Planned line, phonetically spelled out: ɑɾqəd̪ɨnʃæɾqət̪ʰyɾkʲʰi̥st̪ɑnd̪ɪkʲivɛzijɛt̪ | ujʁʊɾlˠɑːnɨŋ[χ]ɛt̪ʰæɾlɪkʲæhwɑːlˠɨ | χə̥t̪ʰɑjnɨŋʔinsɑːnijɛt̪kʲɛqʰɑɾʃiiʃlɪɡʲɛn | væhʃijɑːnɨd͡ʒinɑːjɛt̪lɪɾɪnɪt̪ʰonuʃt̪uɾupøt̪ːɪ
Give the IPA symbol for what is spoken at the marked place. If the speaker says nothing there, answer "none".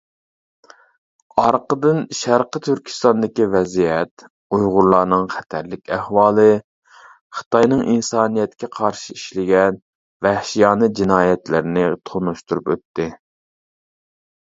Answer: χ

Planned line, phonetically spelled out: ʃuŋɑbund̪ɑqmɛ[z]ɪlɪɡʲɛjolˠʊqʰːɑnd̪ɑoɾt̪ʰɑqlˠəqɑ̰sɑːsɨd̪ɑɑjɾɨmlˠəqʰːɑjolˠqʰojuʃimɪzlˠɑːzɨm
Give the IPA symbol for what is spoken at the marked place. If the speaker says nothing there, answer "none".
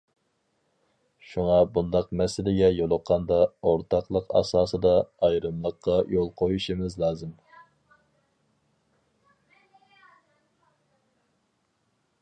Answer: s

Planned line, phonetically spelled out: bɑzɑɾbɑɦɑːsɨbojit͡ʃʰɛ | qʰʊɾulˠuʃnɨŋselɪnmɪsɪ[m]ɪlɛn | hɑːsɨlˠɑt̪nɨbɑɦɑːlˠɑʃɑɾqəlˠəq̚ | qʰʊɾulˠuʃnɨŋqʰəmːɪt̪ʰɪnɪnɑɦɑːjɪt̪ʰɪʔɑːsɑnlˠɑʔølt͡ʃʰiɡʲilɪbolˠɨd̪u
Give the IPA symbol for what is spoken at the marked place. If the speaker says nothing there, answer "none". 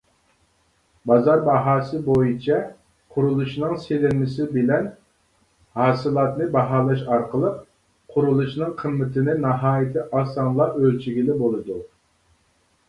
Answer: b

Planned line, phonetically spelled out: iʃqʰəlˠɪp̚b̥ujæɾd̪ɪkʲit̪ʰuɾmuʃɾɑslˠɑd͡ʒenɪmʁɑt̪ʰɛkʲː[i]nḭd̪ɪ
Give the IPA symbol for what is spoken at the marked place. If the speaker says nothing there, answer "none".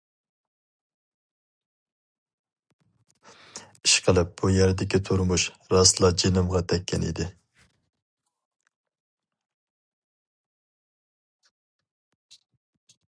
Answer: ɛ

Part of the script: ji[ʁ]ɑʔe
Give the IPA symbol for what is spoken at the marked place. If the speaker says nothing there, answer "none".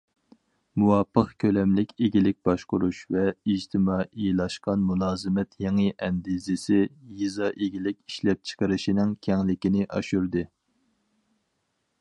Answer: z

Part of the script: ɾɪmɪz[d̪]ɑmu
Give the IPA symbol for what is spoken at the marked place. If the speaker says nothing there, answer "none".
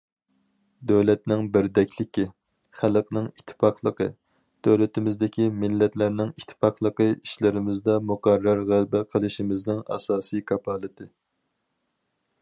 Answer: d̪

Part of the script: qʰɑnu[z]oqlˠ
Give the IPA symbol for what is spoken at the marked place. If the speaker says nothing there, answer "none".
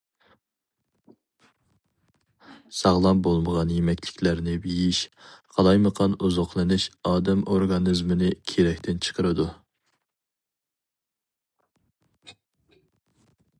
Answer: z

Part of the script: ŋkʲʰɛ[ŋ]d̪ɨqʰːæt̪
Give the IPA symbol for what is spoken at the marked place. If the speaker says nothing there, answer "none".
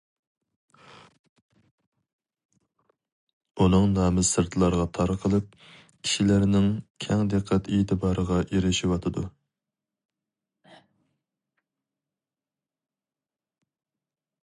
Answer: ŋ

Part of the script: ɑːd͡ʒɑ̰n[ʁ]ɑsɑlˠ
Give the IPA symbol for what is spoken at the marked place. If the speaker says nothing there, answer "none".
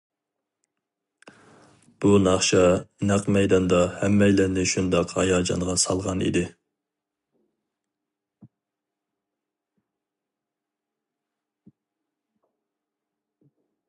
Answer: ʁ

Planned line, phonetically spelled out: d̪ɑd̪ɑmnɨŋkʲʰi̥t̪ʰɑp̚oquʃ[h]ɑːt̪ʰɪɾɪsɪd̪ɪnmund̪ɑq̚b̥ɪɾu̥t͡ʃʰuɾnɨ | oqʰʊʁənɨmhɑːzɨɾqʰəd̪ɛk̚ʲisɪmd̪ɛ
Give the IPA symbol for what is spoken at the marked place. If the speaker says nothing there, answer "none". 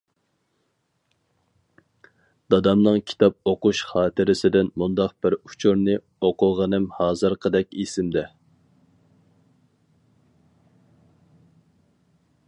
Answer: χ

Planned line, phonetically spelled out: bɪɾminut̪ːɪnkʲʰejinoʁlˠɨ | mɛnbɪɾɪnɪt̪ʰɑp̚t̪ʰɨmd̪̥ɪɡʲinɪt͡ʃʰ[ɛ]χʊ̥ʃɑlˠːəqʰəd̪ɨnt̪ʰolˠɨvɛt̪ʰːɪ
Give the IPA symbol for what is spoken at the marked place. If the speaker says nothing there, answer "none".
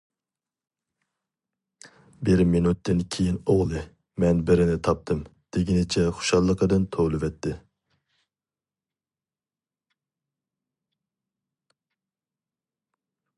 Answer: ɛ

